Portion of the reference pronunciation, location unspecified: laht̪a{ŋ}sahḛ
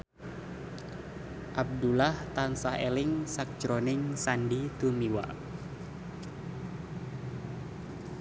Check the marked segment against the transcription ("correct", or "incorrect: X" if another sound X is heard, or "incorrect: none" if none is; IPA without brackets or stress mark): incorrect: n